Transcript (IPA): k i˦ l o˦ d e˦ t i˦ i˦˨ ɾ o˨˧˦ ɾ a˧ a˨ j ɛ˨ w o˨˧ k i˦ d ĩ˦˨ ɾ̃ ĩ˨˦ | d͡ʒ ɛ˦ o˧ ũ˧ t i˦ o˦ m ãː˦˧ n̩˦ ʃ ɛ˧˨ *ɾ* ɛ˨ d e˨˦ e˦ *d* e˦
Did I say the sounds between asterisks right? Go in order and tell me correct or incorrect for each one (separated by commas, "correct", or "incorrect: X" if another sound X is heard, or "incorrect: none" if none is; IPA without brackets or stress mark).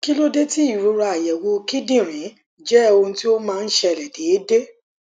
incorrect: l, correct